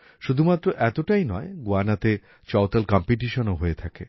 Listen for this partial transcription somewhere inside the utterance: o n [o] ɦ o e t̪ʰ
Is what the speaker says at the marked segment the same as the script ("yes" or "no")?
yes